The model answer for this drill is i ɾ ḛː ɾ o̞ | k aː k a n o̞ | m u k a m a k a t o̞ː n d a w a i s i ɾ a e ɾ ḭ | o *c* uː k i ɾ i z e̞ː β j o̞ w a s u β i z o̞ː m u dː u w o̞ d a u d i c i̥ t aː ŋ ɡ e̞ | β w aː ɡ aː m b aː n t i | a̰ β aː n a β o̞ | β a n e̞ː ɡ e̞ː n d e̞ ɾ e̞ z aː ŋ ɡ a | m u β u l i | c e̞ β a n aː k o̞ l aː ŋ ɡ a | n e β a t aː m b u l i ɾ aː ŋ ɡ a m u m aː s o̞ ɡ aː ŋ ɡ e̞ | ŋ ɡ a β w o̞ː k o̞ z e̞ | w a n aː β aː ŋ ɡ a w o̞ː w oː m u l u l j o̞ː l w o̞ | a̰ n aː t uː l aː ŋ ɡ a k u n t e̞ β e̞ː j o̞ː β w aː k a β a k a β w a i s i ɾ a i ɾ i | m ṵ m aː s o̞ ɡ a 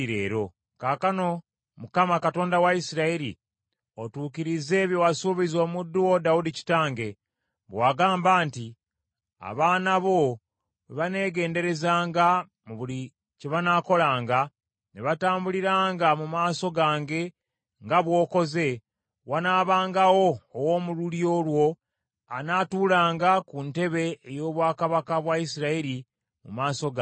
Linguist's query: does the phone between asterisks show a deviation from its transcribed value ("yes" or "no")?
yes